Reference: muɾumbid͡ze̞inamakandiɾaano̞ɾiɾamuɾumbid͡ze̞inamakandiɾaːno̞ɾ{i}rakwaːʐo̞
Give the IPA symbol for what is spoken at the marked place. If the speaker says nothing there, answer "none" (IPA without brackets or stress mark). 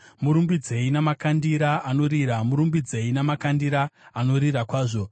i